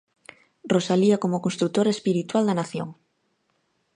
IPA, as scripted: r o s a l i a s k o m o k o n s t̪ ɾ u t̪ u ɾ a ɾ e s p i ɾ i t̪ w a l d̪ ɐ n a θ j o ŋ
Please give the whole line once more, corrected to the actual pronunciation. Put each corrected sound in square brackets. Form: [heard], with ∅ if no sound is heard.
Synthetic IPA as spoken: r o s a l i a [∅] k o m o k o n s t̪ ɾ u t̪ [o] ɾ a [∅] e s p i ɾ i t̪ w a l d̪ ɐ n a θ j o ŋ